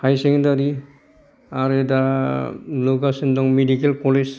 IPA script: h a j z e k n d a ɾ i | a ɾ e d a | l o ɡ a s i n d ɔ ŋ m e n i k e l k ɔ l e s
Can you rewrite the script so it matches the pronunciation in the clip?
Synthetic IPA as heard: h a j s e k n d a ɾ i | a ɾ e d a | l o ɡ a s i n d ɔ ŋ m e d i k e l k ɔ l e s